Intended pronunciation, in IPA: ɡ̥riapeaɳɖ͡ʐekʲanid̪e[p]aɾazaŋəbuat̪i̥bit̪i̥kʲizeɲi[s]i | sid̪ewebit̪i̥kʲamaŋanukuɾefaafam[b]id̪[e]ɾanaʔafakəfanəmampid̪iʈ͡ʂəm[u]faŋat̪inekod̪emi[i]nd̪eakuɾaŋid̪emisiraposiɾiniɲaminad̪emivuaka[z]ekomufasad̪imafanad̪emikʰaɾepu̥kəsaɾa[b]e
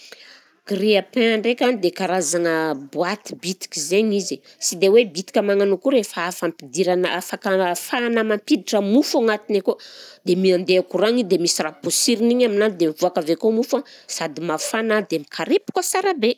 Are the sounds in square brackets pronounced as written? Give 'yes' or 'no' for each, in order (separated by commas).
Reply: no, no, no, no, yes, no, no, yes